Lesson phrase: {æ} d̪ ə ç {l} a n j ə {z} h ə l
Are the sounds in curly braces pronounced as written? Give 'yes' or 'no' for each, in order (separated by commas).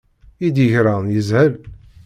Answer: no, no, yes